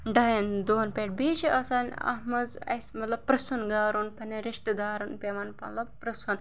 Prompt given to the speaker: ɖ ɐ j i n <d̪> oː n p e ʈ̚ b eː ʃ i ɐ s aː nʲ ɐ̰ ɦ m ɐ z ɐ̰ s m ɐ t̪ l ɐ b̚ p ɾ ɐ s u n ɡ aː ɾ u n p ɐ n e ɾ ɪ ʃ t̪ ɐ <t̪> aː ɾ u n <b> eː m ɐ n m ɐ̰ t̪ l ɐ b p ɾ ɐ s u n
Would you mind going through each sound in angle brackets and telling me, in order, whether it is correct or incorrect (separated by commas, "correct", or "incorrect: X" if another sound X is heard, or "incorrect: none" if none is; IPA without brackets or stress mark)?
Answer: correct, incorrect: d̪, incorrect: p